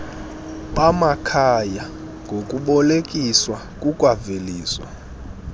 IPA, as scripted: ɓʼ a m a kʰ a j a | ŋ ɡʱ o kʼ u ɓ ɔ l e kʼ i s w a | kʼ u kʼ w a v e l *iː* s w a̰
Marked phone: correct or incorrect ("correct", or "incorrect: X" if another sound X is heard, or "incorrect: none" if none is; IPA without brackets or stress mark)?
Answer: correct